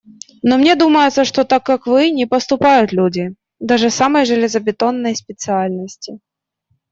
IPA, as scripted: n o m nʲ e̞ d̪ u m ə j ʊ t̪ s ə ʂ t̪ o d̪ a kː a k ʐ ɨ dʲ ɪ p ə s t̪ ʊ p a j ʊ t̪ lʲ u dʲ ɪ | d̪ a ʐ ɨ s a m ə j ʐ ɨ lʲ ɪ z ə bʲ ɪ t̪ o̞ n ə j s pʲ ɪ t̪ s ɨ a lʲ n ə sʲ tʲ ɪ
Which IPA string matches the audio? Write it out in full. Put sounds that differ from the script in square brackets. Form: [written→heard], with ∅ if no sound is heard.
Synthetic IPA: n o m nʲ e̞ d̪ u m ə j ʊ t̪ s ə ʂ t̪ o [d̪→t̪] a kː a k [ʐ→v] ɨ [dʲ→nʲ] ɪ p ə s t̪ ʊ p a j ʊ t̪ lʲ u dʲ ɪ | d̪ a ʐ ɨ s a m ə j ʐ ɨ lʲ ɪ z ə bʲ ɪ t̪ o̞ [n→nː] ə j s pʲ ɪ t̪ s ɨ a lʲ n ə sʲ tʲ ɪ